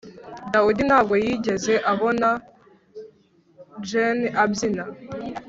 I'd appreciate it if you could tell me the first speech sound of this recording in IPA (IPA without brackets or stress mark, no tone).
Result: d